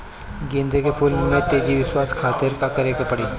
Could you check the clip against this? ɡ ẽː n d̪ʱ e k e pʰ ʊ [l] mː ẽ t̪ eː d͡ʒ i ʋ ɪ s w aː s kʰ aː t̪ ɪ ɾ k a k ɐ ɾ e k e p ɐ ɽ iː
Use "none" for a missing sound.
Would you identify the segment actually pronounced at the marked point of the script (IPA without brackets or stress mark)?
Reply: l